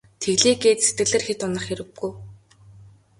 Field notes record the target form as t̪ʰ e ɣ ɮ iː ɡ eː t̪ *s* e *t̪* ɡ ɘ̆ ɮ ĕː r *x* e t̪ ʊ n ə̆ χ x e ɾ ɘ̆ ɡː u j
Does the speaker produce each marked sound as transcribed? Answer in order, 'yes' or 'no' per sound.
yes, yes, yes

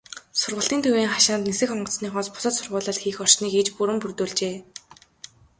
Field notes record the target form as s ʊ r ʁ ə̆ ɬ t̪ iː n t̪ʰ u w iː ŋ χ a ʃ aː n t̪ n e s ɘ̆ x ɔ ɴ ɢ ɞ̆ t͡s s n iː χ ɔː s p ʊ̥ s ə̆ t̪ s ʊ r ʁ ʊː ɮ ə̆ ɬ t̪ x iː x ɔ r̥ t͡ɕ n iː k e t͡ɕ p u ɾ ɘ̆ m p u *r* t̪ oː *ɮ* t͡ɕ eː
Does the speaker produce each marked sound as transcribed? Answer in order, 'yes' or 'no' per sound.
yes, yes

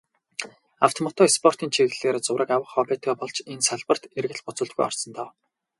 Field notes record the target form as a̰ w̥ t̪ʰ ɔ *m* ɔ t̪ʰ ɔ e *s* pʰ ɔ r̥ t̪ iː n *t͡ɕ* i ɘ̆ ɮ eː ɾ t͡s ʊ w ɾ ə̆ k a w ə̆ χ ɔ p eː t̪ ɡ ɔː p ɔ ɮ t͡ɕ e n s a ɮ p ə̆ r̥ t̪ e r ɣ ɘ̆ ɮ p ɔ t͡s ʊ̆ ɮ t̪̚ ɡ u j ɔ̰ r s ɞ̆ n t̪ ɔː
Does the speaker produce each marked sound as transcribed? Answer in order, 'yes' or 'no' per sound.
yes, yes, no

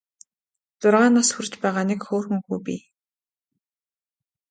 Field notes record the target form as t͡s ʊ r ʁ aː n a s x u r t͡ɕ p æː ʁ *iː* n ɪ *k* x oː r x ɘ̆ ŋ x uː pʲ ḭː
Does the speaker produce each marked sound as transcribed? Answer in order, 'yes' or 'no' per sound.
no, yes

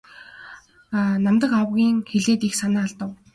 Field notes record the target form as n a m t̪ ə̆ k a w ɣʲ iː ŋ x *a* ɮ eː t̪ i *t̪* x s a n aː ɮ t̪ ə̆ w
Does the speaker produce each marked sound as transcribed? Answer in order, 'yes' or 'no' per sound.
no, no

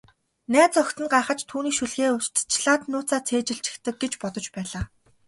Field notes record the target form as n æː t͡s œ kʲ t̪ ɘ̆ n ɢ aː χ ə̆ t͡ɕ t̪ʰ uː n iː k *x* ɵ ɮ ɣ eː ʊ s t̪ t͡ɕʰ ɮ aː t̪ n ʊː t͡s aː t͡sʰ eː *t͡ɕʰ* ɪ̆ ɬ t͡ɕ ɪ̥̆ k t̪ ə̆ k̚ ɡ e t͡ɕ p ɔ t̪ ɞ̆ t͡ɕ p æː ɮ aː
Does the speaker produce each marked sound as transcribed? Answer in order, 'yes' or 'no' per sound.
no, no

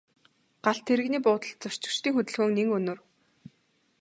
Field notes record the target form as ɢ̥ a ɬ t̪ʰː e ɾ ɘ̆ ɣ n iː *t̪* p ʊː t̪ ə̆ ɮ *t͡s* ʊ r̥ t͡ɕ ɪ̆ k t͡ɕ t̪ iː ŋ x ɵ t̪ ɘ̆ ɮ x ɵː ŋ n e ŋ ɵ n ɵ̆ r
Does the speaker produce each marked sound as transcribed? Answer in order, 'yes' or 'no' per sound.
no, yes

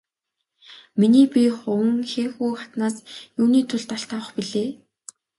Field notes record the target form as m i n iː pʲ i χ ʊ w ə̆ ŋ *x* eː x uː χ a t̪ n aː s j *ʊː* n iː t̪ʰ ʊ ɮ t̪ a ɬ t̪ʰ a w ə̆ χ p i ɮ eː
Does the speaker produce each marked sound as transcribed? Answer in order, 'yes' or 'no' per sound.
yes, no

